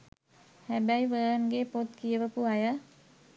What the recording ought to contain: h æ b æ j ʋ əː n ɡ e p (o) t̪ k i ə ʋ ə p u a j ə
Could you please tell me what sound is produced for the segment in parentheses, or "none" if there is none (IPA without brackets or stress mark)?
o